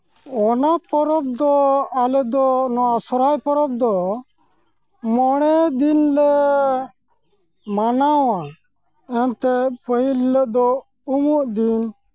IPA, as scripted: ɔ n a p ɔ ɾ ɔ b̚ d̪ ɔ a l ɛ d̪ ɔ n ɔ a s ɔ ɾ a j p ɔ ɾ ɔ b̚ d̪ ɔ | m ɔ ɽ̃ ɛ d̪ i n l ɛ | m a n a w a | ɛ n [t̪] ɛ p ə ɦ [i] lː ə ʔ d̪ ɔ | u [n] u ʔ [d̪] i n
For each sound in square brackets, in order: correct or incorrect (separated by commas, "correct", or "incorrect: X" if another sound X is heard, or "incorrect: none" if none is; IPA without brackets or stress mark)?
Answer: correct, correct, incorrect: m, correct